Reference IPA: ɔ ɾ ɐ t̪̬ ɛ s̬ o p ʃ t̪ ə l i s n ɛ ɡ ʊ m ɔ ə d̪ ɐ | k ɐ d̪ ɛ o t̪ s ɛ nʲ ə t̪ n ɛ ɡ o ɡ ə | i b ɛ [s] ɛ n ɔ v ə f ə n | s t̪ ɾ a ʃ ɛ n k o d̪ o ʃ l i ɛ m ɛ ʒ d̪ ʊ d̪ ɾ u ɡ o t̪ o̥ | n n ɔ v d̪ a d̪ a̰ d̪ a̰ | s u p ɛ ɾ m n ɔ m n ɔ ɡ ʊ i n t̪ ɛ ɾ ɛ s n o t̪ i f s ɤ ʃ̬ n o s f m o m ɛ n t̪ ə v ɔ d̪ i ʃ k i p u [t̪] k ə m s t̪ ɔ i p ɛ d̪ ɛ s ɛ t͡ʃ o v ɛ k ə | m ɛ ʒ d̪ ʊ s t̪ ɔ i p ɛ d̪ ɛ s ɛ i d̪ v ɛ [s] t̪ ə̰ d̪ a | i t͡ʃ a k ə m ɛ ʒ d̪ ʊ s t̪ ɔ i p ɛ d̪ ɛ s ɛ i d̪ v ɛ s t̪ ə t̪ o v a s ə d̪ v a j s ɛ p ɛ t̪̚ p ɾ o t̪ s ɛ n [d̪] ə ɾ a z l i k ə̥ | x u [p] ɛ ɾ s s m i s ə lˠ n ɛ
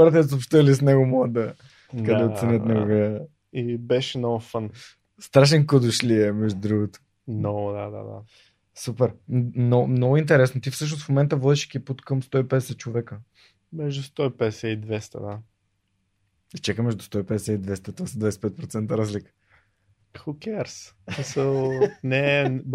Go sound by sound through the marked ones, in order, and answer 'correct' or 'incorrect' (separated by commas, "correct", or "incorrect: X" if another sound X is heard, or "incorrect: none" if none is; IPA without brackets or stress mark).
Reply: incorrect: ʃ, correct, correct, incorrect: t̪, incorrect: k